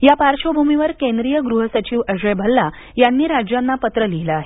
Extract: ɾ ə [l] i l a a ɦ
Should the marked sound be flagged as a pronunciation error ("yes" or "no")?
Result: no